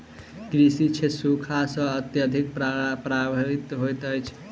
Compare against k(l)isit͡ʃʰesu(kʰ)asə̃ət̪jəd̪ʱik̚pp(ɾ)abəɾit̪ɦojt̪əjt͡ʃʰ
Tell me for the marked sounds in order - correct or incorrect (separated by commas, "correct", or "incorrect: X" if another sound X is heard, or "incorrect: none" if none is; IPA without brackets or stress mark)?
incorrect: ɾ, correct, correct